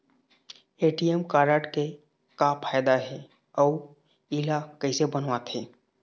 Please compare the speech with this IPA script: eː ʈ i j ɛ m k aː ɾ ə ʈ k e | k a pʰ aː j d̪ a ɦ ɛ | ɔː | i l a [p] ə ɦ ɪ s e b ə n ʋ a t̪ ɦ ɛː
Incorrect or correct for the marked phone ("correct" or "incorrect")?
incorrect